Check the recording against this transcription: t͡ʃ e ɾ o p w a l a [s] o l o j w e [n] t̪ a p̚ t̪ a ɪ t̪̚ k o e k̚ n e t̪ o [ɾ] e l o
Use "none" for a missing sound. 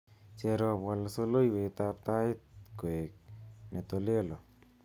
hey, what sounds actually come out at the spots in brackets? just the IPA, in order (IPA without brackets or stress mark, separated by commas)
s, none, l